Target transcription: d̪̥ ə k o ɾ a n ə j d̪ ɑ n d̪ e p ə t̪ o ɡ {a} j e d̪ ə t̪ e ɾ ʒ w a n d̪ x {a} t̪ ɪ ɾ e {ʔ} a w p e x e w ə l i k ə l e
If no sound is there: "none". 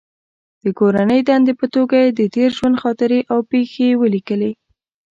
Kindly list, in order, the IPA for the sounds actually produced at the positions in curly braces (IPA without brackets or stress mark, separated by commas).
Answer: a, ɑ, ʔ